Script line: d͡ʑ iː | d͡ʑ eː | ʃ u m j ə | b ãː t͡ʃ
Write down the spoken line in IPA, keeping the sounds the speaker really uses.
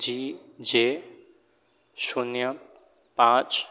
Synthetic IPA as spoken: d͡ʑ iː | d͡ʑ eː | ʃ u n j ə | p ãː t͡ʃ